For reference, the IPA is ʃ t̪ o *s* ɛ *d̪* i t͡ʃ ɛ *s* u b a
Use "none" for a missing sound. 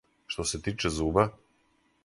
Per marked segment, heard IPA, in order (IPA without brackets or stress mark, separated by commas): s, t̪, z